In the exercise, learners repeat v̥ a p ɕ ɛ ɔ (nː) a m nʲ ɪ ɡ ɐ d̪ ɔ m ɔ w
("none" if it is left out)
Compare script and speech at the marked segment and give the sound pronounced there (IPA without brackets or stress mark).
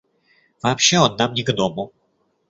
nː